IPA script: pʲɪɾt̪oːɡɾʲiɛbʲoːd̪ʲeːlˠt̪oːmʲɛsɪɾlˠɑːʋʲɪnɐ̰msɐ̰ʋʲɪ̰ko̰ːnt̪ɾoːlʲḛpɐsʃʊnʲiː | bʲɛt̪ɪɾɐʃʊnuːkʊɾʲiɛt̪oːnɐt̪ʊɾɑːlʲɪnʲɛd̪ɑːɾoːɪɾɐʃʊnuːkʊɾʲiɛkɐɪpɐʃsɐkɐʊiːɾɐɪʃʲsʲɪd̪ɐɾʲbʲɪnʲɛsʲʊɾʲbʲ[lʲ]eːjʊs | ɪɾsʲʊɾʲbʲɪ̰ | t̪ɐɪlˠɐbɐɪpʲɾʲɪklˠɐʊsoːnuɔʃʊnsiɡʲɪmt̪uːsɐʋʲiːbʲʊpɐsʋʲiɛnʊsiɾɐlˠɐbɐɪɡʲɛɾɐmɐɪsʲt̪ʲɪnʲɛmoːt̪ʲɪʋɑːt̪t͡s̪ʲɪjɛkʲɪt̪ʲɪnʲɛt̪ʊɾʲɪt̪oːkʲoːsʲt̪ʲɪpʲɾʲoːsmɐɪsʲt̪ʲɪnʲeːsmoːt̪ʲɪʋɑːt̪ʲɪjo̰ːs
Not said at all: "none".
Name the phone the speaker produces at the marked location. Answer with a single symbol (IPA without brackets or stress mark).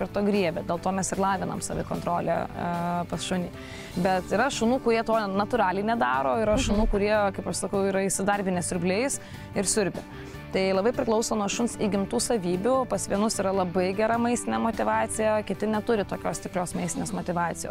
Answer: lʲ